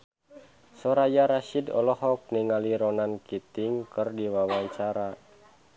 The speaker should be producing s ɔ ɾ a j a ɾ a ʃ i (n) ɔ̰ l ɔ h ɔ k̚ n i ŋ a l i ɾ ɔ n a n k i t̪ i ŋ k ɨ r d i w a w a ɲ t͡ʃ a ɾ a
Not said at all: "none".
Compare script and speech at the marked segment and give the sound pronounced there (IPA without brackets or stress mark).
d